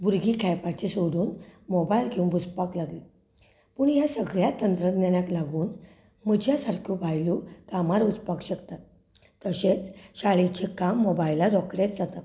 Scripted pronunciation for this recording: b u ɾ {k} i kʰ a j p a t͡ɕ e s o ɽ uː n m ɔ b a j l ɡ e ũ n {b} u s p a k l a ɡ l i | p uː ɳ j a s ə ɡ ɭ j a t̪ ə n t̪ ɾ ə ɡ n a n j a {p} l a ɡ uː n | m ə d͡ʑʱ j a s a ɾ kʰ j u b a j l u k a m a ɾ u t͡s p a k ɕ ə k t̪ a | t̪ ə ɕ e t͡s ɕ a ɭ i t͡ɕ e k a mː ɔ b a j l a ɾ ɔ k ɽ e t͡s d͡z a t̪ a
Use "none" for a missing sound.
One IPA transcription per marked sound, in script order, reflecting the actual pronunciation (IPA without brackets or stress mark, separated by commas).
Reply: ɡ, b, k